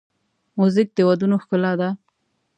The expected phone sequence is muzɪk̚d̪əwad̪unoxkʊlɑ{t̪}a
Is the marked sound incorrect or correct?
incorrect: d̪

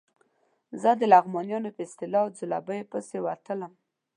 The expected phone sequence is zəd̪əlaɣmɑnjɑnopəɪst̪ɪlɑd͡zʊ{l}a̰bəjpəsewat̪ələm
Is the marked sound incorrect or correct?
correct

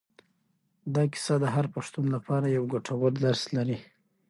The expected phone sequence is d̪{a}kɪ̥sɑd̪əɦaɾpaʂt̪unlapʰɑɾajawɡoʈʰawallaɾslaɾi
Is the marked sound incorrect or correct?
incorrect: ɑ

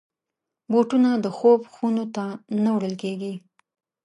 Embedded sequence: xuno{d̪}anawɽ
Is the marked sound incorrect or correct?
incorrect: t̪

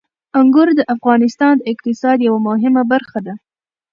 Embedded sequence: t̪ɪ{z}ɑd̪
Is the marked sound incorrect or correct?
incorrect: s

